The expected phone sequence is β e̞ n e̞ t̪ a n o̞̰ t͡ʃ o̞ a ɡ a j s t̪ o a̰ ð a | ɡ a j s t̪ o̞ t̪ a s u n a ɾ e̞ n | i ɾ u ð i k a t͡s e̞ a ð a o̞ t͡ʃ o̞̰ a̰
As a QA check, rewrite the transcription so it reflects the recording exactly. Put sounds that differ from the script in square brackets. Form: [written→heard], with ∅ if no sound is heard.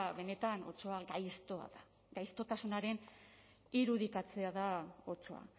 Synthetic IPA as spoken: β e̞ n e̞ t̪ a n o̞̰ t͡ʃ o̞ a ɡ a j s t̪ o a̰ ð a | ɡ a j s t̪ o̞ t̪ a s u n a ɾ e̞ n | i ɾ u ð i k a t͡s e̞ a ð a o̞ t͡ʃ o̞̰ a̰